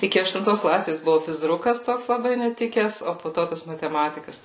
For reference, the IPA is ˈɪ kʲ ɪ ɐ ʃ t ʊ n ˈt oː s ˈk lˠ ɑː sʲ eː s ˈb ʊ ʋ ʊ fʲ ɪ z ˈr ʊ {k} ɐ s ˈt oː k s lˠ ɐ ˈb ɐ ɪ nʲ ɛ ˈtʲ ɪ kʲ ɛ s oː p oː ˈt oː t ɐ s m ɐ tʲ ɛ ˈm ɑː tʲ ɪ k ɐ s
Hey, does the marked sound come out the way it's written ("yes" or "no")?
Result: yes